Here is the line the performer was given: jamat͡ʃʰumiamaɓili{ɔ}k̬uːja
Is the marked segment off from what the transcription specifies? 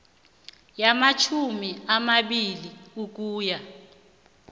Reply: yes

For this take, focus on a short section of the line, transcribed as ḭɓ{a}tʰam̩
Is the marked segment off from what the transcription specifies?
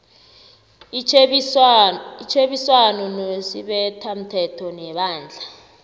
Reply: yes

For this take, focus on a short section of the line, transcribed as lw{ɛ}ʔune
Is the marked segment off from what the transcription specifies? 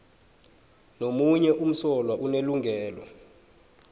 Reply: yes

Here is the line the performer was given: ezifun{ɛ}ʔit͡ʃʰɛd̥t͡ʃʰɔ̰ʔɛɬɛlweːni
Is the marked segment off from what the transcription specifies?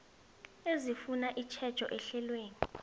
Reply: yes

